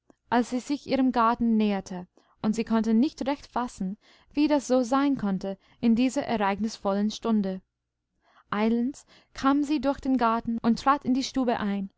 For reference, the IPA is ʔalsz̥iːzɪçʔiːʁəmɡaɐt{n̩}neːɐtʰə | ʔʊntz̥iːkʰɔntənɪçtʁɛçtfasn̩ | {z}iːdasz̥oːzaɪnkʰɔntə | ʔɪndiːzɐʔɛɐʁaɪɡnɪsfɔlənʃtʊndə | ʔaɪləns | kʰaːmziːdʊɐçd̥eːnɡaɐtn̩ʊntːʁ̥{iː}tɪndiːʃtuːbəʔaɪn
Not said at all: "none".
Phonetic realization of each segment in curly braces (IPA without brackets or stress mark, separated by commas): n̩, v, aː